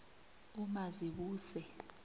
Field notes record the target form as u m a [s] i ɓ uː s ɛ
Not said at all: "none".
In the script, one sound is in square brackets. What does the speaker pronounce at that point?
z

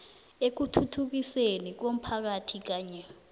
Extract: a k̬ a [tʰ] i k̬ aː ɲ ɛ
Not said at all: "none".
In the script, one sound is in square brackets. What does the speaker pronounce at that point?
tʰ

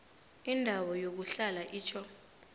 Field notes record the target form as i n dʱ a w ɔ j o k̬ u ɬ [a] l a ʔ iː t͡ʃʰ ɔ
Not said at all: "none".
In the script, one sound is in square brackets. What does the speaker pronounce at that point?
a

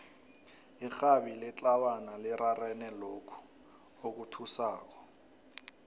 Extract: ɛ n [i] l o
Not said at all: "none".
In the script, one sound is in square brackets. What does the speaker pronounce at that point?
ɛ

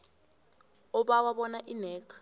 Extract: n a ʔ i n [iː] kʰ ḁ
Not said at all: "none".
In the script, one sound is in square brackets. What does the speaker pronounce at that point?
ɛː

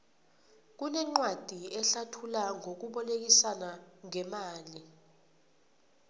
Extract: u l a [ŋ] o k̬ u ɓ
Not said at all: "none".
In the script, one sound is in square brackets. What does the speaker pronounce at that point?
ŋ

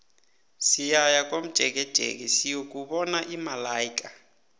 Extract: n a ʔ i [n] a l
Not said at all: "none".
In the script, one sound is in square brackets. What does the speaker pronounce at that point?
m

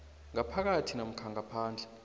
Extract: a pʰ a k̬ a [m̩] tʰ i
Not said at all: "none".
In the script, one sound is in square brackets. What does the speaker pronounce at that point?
none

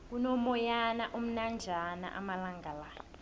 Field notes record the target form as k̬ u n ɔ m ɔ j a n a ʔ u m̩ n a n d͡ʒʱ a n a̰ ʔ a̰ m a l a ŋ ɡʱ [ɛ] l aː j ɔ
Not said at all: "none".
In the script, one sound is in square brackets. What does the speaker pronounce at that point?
a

